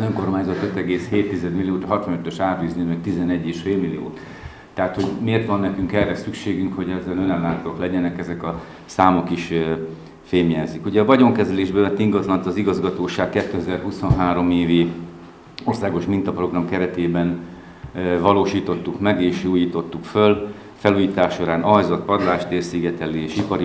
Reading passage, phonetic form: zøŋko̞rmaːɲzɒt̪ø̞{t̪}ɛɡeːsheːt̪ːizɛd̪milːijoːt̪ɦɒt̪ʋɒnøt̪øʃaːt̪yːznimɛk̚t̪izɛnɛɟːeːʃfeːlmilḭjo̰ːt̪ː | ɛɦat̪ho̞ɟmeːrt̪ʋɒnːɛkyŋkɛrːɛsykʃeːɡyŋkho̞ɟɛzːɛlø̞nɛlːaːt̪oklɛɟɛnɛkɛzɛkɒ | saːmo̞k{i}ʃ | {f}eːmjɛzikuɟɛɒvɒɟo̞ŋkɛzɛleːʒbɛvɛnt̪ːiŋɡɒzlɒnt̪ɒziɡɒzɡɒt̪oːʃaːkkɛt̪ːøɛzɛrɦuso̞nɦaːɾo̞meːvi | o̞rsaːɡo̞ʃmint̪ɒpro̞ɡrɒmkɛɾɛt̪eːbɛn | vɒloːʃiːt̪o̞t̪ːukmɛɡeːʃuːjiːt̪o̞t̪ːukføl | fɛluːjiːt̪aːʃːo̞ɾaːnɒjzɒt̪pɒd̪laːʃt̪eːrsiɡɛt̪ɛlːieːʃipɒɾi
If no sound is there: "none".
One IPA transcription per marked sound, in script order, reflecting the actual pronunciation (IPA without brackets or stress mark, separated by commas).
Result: t̪, i, f